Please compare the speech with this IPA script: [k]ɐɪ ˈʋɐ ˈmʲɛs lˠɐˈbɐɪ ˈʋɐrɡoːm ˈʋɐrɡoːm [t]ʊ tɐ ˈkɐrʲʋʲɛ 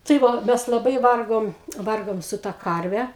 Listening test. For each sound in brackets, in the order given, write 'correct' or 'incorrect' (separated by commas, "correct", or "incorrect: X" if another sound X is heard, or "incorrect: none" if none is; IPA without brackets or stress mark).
incorrect: t, incorrect: s